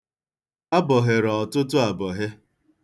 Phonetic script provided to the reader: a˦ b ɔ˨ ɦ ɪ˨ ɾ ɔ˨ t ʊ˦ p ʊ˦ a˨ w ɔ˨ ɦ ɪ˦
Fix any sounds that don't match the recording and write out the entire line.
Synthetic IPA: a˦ b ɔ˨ ɦ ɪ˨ ɾ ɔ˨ t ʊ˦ t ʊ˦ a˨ b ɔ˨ ɦ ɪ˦

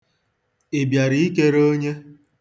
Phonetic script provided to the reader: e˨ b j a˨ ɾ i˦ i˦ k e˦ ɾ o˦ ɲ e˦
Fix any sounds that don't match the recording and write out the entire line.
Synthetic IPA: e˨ b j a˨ ɾ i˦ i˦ k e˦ ɾ o˦ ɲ e˦

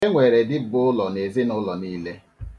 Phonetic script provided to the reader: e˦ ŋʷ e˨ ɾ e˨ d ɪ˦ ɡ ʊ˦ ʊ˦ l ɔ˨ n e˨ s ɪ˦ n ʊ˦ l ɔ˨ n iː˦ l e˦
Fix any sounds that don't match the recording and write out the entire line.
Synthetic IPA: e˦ ŋʷ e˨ ɾ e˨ d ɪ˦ b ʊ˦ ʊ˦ l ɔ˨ n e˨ z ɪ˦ n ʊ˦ l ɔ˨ n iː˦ l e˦

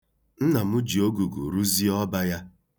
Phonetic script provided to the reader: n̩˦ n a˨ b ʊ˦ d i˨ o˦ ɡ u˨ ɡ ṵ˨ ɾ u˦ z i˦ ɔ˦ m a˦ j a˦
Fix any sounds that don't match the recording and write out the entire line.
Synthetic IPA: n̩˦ n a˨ m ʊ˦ d͡ʒ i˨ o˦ ɡ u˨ ɡ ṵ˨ ɾ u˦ z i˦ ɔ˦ b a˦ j a˦

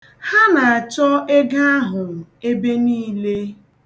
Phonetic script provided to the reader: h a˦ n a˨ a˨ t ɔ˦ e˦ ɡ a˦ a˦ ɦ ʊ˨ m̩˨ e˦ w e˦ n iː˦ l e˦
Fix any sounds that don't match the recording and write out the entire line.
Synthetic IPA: h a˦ n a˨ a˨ t͡ʃ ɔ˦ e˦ ɡ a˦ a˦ ɦ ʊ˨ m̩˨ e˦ b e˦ n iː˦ l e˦

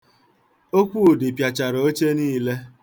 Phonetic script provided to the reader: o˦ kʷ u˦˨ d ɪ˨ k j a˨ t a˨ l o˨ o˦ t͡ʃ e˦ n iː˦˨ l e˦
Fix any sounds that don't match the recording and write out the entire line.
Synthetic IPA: o˦ kʷ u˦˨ d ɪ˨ p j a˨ t͡ʃ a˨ ɾ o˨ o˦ t͡ʃ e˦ n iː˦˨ l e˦

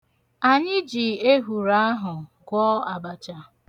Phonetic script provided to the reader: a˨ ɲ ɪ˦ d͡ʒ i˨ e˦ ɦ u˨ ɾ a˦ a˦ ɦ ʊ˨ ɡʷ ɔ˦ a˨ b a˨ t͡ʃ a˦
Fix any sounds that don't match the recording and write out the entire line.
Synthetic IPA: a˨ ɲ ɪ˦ d͡ʒ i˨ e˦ ɦ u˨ ɾ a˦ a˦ ɦ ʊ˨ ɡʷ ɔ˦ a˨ b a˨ t͡ʃ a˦

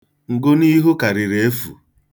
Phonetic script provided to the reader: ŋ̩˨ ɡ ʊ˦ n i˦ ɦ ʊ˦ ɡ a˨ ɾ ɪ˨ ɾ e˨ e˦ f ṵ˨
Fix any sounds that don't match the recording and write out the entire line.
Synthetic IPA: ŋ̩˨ ɡ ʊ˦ n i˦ ɦ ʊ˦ k a˨ ɾ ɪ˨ ɾ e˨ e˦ f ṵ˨

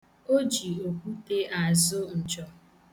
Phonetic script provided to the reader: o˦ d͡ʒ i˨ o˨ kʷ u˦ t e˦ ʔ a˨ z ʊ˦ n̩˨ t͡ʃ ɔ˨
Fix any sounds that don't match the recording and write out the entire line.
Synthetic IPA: o˦ d͡ʒ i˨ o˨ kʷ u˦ t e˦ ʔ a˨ z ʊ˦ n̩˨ t͡ʃ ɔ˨

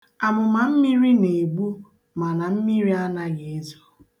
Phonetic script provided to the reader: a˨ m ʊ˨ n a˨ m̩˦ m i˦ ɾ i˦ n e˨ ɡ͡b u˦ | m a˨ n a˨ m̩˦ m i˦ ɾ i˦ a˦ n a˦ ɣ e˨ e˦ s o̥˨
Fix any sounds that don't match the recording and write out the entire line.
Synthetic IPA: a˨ m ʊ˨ m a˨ m̩˦ m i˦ ɾ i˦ n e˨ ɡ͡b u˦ | m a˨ n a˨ m̩˦ m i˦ ɾ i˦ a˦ n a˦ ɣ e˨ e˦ z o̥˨

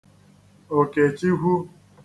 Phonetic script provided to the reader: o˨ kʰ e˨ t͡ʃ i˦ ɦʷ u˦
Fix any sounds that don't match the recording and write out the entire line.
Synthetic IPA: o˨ k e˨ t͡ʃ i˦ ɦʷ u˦

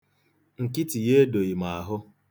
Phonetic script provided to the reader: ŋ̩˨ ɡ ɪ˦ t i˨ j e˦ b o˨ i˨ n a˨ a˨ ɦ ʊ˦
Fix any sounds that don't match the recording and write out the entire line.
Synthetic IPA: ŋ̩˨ k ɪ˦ t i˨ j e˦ d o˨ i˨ m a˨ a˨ ɦ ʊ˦

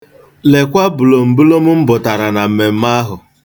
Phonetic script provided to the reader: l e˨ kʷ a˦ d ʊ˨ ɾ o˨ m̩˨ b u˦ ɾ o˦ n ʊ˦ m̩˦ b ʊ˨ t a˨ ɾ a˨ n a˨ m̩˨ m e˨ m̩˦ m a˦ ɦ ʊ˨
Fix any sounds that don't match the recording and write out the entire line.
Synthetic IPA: l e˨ kʷ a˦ b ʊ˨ l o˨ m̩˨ b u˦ l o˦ m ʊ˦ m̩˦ b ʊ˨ t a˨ ɾ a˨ n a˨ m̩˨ m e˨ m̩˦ m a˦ ɦ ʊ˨

